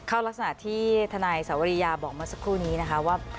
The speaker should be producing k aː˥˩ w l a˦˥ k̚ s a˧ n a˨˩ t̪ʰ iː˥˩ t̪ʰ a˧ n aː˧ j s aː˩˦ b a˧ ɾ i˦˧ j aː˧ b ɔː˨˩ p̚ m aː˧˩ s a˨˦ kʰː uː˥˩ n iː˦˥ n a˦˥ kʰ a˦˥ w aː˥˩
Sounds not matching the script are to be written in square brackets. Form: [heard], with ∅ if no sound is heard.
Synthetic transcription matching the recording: [kʰ] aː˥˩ w l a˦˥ k̚ s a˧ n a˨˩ t̪ʰ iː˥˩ t̪ʰ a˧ n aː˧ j s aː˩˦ [w] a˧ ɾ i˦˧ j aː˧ b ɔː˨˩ [k̚] m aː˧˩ s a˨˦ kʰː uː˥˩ n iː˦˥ n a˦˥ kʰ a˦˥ w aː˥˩